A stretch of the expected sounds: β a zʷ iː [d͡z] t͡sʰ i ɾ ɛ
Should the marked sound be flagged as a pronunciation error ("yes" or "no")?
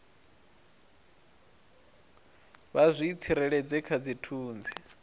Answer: yes